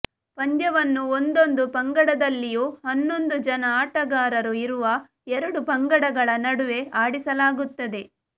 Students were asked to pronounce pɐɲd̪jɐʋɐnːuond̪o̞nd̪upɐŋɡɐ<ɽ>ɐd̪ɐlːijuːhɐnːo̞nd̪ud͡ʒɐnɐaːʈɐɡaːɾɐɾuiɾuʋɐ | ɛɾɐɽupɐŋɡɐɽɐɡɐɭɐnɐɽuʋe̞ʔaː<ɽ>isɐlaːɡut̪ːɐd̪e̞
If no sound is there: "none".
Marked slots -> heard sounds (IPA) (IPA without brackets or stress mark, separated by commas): ɽ, ɽ